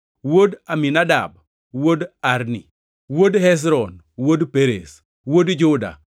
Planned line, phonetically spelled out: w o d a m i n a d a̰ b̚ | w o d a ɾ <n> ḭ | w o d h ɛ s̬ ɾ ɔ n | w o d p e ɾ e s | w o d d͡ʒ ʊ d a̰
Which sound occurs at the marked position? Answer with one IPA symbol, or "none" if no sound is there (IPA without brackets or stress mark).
n